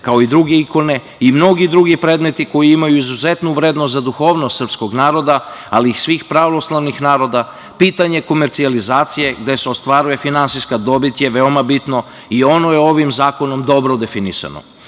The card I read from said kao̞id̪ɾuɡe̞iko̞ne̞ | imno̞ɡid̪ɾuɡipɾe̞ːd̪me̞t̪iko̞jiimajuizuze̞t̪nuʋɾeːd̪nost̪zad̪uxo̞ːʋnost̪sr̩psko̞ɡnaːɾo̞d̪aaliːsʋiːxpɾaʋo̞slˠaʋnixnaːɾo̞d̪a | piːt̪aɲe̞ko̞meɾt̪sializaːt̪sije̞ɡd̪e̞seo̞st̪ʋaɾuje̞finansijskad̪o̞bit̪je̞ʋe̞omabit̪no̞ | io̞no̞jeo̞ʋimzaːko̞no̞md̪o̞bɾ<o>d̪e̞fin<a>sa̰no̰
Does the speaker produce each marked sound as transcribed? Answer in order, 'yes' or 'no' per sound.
yes, no

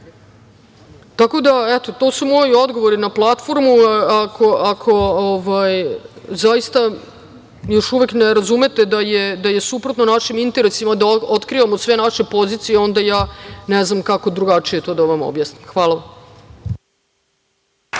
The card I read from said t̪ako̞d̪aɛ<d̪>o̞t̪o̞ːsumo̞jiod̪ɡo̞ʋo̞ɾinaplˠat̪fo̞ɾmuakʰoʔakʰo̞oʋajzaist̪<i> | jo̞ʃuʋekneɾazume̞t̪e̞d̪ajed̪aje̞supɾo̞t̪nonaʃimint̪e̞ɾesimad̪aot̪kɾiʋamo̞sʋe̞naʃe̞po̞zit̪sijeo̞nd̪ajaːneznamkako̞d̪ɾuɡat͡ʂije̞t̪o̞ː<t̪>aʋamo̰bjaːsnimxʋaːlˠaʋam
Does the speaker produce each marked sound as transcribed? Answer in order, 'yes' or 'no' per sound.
no, no, no

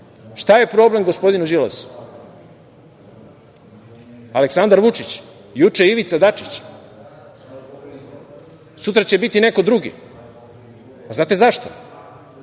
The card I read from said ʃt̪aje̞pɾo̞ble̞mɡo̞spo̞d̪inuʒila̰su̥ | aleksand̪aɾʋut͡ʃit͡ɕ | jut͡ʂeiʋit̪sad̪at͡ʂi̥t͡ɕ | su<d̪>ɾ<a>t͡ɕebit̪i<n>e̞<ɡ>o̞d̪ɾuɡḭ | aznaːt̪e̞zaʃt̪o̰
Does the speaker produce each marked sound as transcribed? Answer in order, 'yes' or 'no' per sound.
no, yes, yes, no

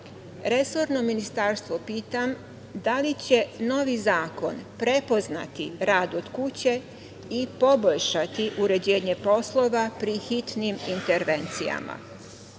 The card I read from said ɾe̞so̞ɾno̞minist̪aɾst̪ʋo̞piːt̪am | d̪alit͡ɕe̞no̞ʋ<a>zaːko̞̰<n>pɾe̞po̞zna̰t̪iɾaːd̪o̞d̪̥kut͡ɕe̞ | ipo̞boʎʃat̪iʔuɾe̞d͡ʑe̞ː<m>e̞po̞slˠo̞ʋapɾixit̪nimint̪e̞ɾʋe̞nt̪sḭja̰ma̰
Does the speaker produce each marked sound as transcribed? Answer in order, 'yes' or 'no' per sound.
no, yes, no

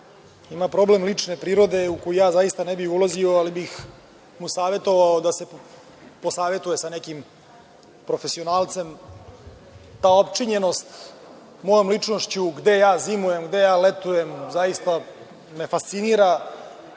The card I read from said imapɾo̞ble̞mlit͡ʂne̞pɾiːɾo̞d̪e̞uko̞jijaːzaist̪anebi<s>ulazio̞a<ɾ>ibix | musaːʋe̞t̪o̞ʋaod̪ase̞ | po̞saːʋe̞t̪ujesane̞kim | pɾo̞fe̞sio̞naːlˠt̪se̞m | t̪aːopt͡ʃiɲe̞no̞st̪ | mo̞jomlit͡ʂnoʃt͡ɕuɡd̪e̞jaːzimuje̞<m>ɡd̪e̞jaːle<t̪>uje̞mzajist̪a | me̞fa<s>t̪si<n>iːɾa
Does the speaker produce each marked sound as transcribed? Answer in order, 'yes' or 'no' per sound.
no, no, yes, yes, yes, yes

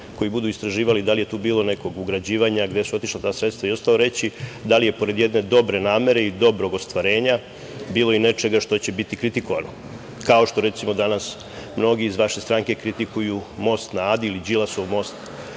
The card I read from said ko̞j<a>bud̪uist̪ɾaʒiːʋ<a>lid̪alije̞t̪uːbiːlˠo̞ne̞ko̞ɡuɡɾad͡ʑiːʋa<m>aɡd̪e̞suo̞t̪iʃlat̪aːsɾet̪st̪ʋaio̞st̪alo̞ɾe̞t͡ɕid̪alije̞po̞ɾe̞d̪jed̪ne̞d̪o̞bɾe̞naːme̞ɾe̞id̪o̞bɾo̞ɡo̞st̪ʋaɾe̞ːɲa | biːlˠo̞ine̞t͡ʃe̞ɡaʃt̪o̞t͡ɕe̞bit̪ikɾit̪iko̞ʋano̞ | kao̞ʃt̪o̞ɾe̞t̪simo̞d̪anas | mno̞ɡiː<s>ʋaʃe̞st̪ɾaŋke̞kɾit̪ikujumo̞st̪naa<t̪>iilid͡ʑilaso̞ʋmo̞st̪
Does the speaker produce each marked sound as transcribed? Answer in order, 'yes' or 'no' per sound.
no, yes, no, no, no

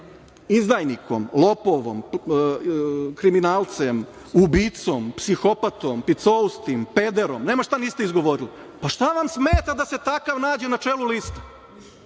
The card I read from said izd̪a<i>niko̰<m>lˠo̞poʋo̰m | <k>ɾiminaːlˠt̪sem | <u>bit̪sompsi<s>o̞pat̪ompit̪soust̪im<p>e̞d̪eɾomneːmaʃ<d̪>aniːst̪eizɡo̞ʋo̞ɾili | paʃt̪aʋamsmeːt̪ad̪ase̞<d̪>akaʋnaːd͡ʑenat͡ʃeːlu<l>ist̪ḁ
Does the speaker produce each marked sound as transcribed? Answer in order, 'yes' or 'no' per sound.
no, yes, yes, yes, no, yes, no, no, yes

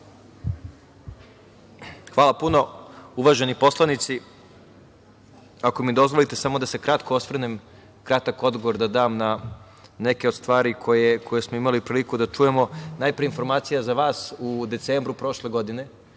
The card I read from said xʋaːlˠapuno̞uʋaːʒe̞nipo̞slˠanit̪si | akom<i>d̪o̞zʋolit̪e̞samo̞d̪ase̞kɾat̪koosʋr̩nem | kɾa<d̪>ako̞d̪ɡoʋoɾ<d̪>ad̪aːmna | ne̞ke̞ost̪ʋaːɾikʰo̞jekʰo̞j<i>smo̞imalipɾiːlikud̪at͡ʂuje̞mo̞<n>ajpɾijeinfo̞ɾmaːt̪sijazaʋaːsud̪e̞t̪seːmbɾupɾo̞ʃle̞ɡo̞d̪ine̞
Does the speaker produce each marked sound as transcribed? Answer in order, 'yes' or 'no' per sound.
yes, no, yes, no, yes

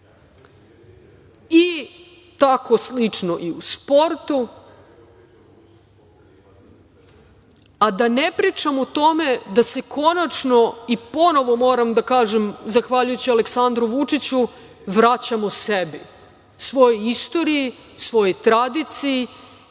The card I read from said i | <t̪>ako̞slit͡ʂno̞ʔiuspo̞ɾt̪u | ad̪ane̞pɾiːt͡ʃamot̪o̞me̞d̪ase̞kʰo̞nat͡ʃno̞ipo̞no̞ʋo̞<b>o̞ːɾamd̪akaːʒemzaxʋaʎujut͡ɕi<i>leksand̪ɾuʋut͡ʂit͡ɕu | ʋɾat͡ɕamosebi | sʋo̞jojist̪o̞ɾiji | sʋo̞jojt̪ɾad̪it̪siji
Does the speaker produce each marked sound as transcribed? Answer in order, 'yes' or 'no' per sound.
yes, no, no

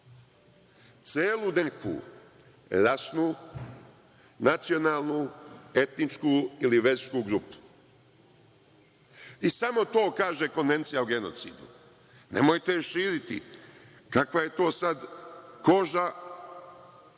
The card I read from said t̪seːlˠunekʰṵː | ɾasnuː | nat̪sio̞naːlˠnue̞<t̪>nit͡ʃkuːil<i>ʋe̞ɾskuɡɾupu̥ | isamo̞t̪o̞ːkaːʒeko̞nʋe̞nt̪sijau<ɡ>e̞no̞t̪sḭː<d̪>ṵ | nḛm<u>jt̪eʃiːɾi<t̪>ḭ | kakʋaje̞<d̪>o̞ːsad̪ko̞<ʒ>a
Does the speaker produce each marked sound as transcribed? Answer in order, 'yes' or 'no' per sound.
yes, yes, yes, yes, no, yes, no, yes

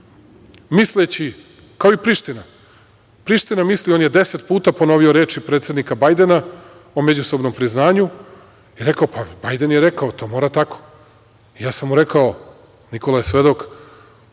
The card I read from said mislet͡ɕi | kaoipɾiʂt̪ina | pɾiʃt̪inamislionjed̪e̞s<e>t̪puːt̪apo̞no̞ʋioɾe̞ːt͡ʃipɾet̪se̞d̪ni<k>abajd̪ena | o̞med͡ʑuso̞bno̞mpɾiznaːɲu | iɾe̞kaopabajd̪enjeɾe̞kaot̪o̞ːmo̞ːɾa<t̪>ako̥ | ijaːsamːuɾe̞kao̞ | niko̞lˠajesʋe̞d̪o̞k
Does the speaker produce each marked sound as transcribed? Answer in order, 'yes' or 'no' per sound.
yes, yes, yes

